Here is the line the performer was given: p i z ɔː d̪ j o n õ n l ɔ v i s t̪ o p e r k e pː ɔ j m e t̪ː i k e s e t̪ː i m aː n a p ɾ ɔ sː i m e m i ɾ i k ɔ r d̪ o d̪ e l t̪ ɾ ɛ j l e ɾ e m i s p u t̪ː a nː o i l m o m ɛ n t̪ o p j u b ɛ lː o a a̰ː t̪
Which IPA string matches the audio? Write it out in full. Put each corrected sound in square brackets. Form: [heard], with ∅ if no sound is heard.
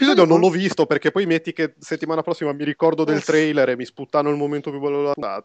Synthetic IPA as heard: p i z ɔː d̪ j o n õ n l ɔ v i s t̪ o p e r k e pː ɔ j m e t̪ː i k e s e t̪ː i m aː n a p ɾ ɔ sː i m [a] m i ɾ i k ɔ r d̪ o d̪ e l t̪ ɾ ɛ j l e ɾ e m i s p u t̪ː a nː o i l m o m [e] n t̪ o p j u b ɛ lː o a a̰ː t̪